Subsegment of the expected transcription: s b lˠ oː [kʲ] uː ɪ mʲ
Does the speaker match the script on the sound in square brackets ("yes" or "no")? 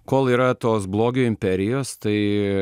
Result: no